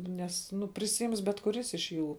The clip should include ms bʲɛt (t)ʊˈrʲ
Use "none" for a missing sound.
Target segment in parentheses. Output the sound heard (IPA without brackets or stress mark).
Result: k